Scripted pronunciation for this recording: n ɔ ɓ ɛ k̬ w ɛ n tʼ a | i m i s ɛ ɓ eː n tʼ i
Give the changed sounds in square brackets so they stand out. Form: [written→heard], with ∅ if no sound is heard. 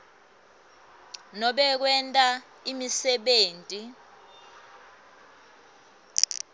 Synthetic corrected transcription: n ɔ ɓ ɛ k̬ w ɛ n tʼ a | i m i s ɛ ɓ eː n tʼ i